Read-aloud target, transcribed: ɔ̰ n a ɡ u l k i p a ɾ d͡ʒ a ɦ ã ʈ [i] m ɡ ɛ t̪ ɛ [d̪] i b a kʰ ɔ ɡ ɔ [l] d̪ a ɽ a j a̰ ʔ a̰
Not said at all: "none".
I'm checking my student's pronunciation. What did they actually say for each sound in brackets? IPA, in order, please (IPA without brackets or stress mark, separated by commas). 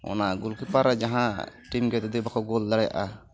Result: i, d̪, l